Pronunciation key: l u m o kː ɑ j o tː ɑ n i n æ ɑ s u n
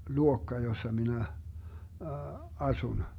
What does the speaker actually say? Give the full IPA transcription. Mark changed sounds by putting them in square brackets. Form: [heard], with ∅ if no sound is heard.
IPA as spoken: l u [∅] o kː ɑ j o [sː] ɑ [m] i n æ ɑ s u n